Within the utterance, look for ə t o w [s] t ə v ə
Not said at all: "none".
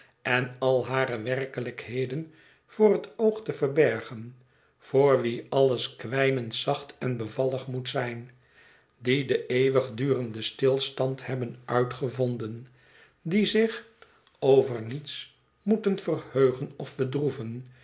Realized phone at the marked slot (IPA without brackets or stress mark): χ